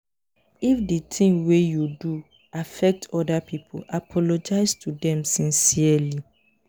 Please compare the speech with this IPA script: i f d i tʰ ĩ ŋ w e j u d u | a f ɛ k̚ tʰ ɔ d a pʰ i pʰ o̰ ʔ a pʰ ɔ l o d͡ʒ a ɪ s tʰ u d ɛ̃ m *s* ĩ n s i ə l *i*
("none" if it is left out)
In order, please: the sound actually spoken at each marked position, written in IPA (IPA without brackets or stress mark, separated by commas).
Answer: s, i